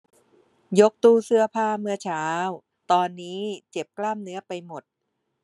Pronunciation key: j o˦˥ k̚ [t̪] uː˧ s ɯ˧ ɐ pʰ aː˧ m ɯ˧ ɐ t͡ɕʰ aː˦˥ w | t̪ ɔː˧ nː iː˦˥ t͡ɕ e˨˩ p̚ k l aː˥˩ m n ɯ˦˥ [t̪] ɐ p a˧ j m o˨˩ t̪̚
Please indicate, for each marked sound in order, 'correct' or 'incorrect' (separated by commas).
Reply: correct, incorrect